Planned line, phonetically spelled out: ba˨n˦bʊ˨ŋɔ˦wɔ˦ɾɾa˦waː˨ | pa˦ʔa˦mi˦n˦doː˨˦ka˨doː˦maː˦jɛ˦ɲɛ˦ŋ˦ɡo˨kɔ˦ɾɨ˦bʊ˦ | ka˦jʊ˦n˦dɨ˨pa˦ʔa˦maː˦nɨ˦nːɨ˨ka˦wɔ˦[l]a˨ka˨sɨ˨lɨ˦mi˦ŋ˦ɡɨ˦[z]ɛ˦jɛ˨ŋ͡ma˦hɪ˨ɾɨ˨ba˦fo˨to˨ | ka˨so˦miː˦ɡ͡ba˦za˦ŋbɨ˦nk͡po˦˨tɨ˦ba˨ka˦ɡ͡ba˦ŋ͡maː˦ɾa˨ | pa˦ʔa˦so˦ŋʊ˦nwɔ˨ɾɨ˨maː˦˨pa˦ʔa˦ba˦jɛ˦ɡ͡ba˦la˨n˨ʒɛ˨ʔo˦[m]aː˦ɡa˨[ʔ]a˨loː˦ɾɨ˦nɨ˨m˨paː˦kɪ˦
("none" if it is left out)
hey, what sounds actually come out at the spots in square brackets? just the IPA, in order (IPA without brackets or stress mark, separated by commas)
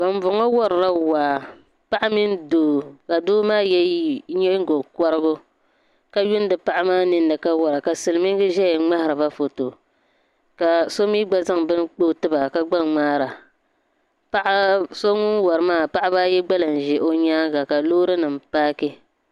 ɾ, ʒ, ɲ, k